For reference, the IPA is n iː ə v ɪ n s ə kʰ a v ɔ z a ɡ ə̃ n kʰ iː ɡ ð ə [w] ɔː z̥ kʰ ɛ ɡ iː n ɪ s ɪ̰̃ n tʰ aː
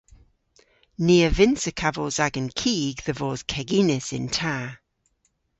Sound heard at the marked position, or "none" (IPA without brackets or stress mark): v